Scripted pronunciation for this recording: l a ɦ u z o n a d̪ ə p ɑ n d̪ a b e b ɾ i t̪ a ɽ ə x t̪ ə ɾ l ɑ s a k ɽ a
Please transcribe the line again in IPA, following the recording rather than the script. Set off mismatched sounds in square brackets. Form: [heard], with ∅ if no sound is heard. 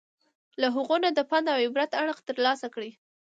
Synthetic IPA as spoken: l a ɦ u [ɣ] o n a d̪ ə p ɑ n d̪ a [w] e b ɾ [a] t̪ a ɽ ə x t̪ ə ɾ l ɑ s a k ɽ [i]